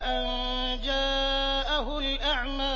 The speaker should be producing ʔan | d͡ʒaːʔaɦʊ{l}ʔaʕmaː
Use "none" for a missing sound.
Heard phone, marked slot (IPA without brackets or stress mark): l